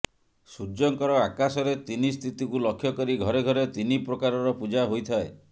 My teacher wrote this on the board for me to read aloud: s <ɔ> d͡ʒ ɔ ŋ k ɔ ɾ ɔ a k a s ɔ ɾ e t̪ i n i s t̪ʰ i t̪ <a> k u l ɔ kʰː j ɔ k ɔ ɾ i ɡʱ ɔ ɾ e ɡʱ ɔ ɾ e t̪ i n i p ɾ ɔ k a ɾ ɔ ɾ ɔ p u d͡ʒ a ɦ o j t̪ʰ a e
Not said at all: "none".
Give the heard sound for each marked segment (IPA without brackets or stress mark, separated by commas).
u, i